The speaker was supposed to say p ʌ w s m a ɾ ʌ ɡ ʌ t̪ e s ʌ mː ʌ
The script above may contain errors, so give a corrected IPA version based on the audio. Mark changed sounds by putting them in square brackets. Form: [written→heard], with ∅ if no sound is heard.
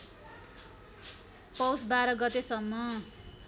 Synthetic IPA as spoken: p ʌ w s [m→b] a ɾ ʌ ɡ ʌ t̪ e s ʌ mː ʌ